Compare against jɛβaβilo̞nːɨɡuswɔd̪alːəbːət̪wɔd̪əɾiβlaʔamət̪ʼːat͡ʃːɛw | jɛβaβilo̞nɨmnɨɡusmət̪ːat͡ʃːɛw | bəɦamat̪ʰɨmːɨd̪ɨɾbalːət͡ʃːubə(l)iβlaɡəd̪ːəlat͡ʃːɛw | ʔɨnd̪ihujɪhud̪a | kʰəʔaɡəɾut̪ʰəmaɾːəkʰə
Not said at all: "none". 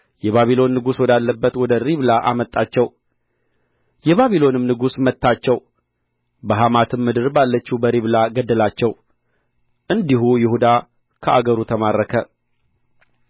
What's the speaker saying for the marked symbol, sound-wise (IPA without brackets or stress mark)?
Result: ɾ